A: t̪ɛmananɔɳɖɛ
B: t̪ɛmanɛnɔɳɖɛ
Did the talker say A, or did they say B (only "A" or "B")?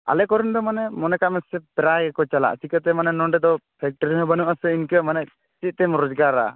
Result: B